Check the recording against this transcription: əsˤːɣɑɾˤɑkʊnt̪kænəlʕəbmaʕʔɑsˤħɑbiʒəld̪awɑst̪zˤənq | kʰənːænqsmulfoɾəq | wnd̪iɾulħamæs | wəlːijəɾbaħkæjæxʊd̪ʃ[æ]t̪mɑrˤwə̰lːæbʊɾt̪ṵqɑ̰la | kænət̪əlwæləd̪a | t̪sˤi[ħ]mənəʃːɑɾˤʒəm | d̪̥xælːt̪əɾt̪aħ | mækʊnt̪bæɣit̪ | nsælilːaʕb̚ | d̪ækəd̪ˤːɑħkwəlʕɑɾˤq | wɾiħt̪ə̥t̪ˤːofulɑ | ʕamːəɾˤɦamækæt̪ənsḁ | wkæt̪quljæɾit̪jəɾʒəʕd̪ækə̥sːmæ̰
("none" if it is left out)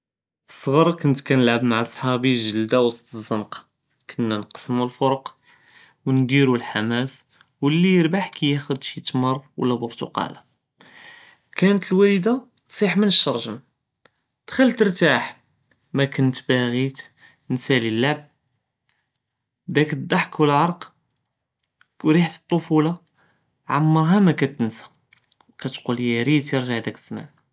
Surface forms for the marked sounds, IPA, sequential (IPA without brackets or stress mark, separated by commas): i, ħ